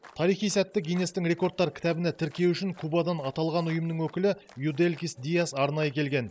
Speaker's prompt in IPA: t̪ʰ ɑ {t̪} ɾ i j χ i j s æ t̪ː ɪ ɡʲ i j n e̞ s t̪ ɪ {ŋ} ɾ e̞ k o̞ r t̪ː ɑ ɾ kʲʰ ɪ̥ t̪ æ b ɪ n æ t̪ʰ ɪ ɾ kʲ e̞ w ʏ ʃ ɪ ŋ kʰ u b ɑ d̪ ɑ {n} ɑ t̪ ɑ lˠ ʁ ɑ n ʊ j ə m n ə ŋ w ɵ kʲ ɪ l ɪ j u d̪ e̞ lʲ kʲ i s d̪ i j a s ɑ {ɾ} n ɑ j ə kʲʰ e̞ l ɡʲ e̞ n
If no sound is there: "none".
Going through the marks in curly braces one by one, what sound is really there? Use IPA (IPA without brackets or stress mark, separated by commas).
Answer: none, ŋ, n, ɾ